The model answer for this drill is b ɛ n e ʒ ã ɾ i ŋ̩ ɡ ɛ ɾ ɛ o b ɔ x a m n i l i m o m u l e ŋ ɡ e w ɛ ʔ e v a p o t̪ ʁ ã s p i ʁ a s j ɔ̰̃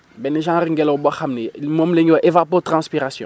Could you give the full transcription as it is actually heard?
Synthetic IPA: b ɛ n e ʒ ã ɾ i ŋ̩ ɡ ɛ l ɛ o b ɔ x a m n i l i m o m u l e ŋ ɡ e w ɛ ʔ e v a p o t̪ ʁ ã s p i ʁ a s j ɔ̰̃